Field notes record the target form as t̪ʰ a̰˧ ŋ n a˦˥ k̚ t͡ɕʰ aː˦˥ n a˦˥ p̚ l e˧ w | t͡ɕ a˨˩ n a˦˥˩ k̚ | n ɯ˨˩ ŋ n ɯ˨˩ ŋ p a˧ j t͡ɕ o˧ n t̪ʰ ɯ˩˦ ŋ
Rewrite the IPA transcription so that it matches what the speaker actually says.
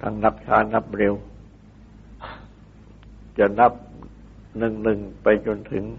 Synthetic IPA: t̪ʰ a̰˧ ŋ n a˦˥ p̚ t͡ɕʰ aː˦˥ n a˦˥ p̚ ɾ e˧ w | t͡ɕ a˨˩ n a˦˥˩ p̚ | n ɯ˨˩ ŋ n ɯ˨˩ ŋ p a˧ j t͡ɕ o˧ n t̪ʰ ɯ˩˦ ŋ